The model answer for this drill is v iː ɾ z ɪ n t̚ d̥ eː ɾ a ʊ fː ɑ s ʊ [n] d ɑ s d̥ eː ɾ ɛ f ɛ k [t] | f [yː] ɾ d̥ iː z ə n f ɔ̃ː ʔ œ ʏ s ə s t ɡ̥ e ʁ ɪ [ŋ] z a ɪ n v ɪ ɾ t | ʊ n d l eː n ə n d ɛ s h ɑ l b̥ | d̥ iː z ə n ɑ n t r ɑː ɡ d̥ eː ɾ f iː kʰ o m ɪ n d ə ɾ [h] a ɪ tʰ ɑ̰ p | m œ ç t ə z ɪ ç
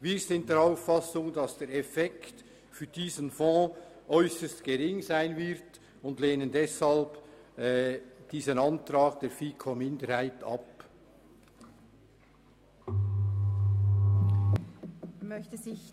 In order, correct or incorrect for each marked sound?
incorrect, correct, correct, correct, correct

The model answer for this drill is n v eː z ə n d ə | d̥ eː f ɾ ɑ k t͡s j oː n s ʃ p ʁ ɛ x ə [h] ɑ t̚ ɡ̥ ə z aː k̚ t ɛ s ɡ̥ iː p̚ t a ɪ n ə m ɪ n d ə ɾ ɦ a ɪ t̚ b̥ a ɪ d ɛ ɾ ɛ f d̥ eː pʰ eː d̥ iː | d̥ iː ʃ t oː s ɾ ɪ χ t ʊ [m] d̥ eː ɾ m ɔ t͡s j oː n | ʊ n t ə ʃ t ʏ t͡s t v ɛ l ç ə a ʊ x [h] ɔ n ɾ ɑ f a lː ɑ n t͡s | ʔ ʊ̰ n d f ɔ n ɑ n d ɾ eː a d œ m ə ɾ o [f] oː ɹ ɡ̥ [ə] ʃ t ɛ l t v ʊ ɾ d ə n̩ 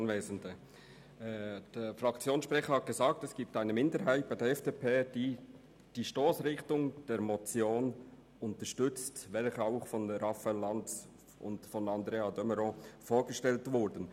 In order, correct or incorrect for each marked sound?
correct, incorrect, incorrect, correct, correct

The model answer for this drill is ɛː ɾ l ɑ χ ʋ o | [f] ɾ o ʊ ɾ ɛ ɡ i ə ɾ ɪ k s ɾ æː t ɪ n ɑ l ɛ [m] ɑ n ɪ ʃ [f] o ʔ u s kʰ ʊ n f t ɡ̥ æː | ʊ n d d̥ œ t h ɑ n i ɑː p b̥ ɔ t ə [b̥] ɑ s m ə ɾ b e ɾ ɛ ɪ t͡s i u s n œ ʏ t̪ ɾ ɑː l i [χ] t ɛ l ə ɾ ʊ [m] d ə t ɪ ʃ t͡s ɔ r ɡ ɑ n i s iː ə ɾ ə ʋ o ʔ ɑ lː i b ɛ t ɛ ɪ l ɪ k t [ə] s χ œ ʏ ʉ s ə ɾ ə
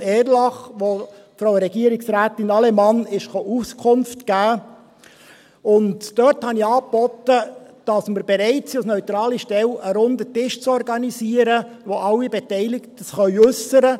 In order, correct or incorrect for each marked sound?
correct, correct, incorrect, incorrect, incorrect, incorrect, correct

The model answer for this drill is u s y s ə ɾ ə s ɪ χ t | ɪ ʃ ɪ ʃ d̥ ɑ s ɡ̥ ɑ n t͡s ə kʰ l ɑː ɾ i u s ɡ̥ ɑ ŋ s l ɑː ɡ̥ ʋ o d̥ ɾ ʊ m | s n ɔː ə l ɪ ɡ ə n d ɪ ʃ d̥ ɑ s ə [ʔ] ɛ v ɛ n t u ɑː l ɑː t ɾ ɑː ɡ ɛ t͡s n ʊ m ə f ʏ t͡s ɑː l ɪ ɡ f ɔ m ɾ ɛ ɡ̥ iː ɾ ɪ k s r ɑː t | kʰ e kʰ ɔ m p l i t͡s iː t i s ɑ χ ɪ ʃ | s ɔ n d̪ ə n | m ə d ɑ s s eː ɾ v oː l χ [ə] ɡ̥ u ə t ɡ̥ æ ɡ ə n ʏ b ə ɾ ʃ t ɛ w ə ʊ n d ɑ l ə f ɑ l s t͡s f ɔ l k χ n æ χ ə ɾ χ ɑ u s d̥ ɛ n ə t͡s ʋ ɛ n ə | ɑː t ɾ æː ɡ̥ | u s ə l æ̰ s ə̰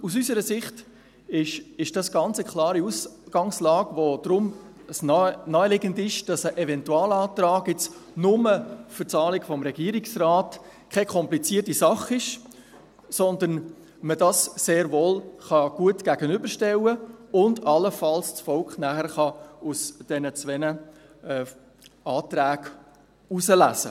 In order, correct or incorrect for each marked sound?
correct, incorrect

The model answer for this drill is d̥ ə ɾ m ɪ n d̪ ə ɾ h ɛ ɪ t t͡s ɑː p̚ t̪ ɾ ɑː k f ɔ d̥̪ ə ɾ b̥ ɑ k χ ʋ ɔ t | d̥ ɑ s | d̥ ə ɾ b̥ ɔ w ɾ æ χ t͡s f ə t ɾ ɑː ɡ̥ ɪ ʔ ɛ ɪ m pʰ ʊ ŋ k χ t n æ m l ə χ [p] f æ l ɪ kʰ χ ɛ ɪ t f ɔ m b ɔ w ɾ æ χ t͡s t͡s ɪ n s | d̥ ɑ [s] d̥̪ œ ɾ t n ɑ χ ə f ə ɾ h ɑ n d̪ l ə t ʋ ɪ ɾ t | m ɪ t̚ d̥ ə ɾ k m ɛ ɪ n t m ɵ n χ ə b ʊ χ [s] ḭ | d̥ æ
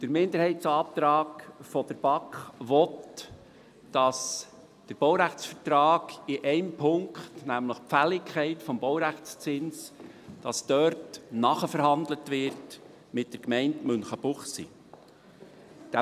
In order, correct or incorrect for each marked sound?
correct, correct, correct

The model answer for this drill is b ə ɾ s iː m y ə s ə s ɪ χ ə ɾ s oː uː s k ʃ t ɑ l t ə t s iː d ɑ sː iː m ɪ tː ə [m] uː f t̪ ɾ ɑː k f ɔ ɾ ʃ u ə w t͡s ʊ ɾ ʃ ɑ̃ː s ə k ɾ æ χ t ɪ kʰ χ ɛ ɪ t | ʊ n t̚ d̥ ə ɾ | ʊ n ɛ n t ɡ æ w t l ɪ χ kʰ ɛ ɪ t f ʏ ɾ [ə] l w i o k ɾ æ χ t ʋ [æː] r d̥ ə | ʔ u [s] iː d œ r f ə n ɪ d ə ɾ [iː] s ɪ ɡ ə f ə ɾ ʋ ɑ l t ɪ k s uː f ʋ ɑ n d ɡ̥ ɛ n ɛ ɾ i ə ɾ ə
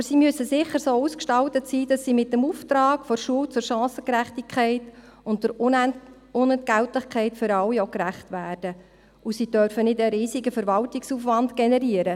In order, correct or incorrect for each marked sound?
correct, incorrect, correct, correct, correct

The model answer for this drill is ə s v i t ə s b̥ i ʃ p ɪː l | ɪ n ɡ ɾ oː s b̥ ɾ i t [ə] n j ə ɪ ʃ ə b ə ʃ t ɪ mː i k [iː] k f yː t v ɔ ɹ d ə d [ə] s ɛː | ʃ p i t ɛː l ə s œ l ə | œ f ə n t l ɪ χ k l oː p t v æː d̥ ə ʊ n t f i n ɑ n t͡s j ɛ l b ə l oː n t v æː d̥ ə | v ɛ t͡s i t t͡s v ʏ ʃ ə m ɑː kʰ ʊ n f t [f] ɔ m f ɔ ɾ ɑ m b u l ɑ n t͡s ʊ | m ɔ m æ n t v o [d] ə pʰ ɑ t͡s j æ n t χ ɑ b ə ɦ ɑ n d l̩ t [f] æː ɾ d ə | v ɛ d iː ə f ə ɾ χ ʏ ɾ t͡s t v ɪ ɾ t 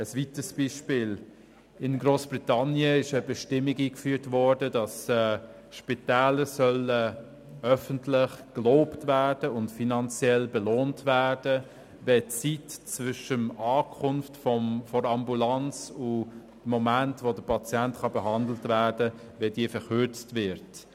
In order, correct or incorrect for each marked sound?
incorrect, correct, incorrect, correct, correct, incorrect

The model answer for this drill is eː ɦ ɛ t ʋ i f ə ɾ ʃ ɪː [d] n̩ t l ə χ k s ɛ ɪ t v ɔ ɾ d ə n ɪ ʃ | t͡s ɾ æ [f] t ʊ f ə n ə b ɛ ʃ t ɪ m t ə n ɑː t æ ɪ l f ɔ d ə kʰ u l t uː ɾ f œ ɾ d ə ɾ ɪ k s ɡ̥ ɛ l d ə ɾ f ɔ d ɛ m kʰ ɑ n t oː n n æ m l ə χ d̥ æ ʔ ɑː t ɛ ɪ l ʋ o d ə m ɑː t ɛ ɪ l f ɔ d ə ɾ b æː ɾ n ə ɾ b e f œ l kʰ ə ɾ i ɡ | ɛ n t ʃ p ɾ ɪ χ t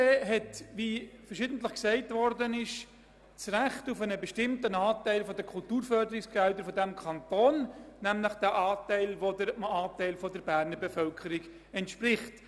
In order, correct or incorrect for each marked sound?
correct, incorrect

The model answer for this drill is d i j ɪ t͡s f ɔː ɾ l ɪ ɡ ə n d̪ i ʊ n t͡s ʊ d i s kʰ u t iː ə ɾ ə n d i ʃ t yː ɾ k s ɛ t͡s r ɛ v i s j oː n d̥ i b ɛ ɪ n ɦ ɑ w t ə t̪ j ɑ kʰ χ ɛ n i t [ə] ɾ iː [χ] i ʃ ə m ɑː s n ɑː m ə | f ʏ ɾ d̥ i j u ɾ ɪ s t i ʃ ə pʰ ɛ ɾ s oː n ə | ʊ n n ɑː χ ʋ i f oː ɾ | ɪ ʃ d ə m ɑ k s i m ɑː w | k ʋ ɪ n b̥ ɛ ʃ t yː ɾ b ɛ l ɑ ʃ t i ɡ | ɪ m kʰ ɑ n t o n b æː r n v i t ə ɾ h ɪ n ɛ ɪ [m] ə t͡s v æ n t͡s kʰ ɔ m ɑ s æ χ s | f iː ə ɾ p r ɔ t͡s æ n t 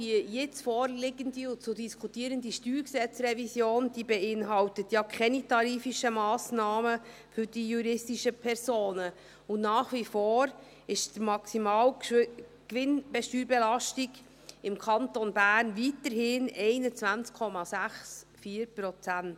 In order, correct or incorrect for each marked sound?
incorrect, incorrect, incorrect

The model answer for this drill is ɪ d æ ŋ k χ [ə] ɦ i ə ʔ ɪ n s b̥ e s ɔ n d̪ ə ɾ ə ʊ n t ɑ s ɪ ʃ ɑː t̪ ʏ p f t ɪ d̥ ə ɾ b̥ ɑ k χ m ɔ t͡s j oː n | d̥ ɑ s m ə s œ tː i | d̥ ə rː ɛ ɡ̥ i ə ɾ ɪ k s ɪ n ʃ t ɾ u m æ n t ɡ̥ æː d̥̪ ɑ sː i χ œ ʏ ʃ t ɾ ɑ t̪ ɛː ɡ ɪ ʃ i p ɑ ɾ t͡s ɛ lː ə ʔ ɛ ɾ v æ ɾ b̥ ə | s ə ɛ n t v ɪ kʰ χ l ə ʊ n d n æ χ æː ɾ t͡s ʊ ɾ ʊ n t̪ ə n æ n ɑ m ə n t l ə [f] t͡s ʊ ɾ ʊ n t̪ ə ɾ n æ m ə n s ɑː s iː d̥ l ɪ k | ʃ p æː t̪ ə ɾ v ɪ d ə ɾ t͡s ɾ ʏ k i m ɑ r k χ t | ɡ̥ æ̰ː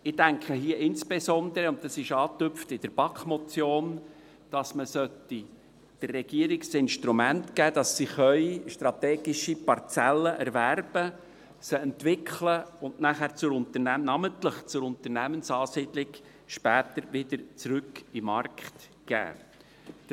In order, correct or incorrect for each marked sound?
correct, incorrect

